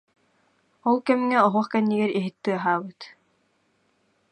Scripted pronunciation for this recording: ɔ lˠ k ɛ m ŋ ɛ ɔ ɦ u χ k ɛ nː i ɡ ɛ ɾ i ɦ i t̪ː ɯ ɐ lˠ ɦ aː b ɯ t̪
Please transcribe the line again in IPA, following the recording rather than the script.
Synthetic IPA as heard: ɔ lˠ k ɛ m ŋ ɛ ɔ ɦ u χ k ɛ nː i ɡ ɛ ɾ i ɦ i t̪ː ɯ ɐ ɦ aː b ɯ t̪